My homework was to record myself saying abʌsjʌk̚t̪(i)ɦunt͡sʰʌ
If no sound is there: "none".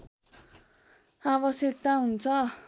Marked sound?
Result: a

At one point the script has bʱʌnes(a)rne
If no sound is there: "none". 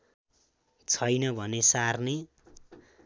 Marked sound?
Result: a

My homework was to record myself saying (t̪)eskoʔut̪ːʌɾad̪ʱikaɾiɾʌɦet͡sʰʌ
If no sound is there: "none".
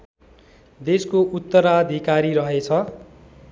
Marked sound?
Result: d̪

